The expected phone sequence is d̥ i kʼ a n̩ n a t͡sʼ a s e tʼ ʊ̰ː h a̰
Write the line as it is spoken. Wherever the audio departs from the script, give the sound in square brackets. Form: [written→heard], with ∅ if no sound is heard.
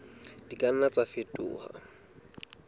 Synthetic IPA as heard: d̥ i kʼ a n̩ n a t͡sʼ a [s→f] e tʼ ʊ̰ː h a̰